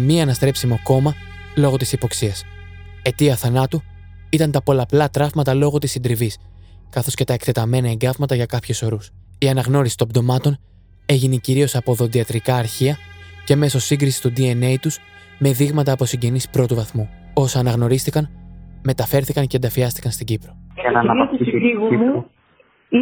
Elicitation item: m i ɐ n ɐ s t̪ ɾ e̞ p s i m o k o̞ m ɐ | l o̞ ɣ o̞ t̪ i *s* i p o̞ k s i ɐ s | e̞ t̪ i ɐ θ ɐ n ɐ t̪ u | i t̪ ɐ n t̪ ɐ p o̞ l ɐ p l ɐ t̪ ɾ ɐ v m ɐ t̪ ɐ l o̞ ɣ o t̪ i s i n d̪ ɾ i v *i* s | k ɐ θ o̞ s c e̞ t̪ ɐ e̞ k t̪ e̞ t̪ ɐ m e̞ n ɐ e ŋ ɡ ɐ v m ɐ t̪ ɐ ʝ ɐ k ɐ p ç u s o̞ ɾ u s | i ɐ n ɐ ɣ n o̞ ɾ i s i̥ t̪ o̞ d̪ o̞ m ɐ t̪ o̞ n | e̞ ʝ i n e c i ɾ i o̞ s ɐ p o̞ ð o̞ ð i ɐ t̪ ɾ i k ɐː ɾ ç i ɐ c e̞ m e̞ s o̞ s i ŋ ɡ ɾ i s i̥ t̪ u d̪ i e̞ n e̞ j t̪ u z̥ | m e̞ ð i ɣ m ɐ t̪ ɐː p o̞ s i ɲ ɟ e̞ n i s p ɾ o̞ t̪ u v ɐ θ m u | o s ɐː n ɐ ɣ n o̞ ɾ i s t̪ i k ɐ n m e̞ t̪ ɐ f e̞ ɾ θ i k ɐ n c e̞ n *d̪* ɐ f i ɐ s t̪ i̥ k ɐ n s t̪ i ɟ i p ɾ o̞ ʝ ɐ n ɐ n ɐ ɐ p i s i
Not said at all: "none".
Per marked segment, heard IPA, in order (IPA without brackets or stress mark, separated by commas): s, i, d̪